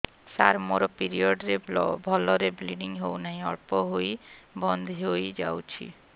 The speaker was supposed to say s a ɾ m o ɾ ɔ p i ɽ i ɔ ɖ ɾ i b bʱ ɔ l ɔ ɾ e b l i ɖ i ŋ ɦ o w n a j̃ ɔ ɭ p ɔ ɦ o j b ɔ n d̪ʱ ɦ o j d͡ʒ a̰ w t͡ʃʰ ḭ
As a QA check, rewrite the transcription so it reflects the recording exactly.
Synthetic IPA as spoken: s a ɾ m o ɾ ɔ p i ɾ i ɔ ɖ ɾ e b bʱ ɔ l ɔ ɾ e b l i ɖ i ŋ ɦ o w n a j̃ ɔ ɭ p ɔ ɦ o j b ɔ n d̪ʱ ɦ o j d͡ʒ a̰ w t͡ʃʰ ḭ